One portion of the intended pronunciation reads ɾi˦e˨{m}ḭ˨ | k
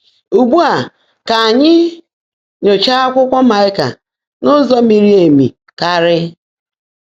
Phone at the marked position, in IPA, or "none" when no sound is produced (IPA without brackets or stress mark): m